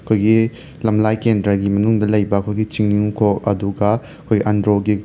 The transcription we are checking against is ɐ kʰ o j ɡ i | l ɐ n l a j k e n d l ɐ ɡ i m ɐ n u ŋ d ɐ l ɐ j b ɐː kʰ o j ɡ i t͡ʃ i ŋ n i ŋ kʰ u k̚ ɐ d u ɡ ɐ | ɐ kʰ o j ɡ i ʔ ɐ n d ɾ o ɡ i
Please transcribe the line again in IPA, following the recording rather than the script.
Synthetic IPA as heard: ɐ kʰ o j ɡ i | l ɐ m l a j k e n d ɾ ɐ ɡ i m ɐ n u ŋ d ɐ l ɐ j b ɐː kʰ o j ɡ i t͡ʃ i ŋ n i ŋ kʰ o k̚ ɐ d u ɡ ɐ | ɐ kʰ o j ɡ i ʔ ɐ n d ɾ o ɡ i